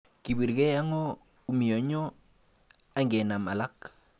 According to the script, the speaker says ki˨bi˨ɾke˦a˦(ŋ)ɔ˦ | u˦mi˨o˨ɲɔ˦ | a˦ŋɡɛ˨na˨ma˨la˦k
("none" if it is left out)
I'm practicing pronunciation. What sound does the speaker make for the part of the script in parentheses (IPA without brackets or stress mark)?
ŋ